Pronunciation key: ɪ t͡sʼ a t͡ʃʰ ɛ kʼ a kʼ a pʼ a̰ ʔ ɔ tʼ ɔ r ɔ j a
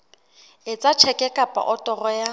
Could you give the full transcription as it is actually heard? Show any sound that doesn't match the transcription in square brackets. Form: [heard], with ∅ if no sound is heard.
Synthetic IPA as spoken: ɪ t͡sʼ a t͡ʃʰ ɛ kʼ [ɛ] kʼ a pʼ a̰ ʔ ɔ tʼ ɔ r ɔ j a